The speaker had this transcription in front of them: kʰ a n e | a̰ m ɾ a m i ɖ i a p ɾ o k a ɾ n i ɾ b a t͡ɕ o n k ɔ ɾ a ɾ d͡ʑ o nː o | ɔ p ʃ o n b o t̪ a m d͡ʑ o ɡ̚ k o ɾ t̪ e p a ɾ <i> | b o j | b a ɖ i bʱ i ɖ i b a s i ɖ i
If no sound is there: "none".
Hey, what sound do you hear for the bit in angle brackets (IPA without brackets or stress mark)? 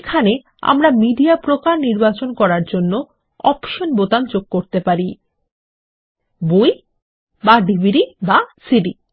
i